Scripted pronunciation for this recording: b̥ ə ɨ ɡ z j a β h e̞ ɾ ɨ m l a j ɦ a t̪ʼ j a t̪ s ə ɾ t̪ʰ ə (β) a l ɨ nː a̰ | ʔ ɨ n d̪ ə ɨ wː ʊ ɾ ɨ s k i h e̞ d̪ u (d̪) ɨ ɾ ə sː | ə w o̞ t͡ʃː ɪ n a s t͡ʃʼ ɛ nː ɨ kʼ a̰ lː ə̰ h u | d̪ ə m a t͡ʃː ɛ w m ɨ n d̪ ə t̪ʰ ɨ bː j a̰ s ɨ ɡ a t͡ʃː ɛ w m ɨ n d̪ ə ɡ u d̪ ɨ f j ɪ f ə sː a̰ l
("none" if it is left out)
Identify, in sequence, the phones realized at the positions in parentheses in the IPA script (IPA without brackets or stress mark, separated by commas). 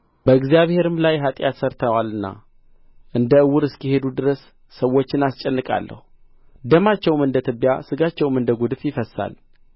w, d̪